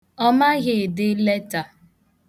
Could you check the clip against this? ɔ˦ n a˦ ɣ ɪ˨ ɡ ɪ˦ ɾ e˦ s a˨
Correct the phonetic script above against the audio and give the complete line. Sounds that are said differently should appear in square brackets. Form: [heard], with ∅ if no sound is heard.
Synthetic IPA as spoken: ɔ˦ [m] a˦ ɣ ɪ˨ [d] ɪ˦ [l] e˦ [t] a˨